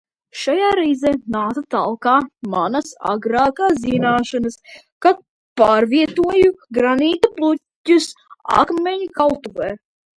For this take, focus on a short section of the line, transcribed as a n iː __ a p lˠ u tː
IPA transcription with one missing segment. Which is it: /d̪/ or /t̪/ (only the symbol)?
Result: t̪